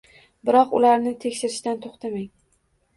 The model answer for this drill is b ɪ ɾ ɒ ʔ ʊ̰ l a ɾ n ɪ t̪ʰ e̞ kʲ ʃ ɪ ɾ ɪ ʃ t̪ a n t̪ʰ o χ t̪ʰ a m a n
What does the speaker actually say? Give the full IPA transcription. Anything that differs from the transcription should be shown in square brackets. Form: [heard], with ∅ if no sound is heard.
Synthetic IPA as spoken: b ɪ ɾ ɒ [q] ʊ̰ l a ɾ n ɪ t̪ʰ e̞ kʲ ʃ ɪ ɾ ɪ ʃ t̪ a n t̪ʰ o χ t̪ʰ a m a [ŋ]